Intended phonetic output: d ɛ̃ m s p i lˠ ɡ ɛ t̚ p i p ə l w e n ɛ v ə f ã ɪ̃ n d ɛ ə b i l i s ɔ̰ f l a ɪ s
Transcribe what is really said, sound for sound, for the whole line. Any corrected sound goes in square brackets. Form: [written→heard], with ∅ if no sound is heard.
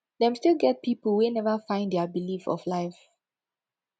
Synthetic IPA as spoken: d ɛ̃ m s [p→t] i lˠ ɡ ɛ t̚ p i p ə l w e n ɛ v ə f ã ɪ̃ n d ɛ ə b i l i [s→f] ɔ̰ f l a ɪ [s→f]